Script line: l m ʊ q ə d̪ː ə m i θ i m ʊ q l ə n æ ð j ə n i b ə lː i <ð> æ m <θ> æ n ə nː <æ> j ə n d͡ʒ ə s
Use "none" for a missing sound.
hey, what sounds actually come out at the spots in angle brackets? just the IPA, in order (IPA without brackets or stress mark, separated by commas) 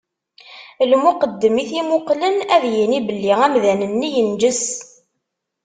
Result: ʁ, ð, i